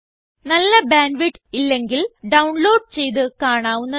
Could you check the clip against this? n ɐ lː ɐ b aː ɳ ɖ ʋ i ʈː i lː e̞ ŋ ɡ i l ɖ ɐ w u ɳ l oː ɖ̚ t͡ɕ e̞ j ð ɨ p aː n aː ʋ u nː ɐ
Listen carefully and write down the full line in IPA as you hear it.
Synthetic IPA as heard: n ɐ lː ɐ b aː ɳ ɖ ʋ i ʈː i lː e̞ ŋ ɡ i l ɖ ɐ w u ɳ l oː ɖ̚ t͡ɕ e̞ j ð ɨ k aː ɳ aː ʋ u nː ɐ

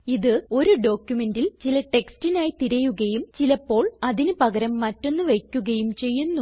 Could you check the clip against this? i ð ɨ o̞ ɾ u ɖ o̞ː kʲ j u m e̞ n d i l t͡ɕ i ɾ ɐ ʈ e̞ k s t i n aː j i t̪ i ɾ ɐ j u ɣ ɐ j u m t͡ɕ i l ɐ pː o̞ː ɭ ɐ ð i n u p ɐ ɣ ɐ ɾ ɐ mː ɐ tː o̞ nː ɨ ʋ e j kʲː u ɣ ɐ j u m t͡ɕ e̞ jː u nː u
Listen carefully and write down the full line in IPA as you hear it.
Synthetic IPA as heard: i ð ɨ o̞ ɾ u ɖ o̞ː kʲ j u m e̞ n d i l t͡ɕ i l ɐ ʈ e̞ k s t i n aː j i t̪ i ɾ ɐ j u ɣ ɐ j u m t͡ɕ i l ɐ pː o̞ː ɭ ɐ ð i n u p ɐ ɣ ɐ ɾ ɐ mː ɐ tː o̞ nː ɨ ʋ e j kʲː u ɣ ɐ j u m t͡ɕ e̞ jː u nː u

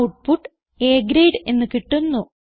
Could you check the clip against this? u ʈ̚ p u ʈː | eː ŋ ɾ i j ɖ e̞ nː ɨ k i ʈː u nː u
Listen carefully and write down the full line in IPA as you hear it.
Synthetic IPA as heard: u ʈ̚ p u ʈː | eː ɡ ɾ e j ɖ e̞ nː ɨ k i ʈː u nː u

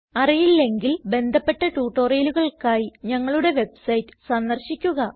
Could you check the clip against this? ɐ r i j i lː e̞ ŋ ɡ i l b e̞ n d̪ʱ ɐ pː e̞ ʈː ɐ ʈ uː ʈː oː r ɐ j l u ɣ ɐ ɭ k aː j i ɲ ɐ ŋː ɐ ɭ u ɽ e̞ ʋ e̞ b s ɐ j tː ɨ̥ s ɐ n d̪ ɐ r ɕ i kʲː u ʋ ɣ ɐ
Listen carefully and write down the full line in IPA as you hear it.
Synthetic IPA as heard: ɐ r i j i lː e̞ ŋ ɡ i l b e̞ n d̪ʱ ɐ pː e̞ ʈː ɐ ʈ uː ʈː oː r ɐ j l u ɣ ɐ ɭ k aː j i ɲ ɐ ŋː ɐ ɭ u ɽ e̞ ʋ e̞ b s ɐ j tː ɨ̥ s ɐ n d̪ ɐ r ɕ i kʲː u ɣ ɐ

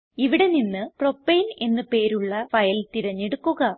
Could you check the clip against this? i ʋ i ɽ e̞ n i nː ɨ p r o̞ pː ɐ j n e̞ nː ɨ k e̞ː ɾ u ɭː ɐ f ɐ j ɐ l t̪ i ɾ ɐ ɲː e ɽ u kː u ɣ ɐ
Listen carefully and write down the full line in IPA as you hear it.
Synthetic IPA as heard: i ʋ i ɽ e̞ n i nː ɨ p r o̞ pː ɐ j n e̞ nː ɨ p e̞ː ɾ u ɭː ɐ f ɐ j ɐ l t̪ i ɾ ɐ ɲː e ɽ u kː u ɣ ɐ

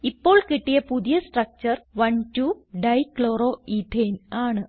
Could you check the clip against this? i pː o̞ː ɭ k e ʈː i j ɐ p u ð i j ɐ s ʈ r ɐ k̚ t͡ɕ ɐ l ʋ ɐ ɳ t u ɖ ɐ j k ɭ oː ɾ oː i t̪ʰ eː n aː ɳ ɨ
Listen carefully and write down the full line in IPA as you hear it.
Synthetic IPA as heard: i pː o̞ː ɭ k i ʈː i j ɐ p u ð i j ɐ s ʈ r ɐ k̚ t͡ɕ ɐ r ʋ ɐ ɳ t u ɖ ɐ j k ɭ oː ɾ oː i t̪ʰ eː n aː ɳ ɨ

